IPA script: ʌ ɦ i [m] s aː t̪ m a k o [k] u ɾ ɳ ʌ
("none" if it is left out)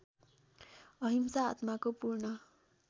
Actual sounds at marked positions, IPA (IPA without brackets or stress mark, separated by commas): m, p